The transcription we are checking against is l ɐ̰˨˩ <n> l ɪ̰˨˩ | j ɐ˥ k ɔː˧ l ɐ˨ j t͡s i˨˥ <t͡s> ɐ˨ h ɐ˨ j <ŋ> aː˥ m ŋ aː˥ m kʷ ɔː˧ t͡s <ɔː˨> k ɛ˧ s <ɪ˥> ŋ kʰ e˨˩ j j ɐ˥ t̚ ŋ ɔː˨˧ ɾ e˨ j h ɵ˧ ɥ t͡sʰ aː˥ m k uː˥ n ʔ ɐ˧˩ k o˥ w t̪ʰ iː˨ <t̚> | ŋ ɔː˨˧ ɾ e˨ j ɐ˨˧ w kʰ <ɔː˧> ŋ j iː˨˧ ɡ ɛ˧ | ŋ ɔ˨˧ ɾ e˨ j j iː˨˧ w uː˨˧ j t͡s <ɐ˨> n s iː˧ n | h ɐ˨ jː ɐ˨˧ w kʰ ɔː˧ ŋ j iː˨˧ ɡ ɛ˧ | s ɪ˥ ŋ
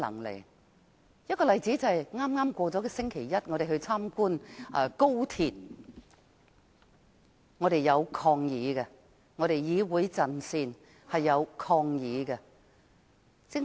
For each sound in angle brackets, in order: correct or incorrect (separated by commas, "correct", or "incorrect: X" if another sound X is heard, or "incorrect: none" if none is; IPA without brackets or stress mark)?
incorrect: ŋ, correct, correct, incorrect: ɔː˨˥, correct, correct, correct, correct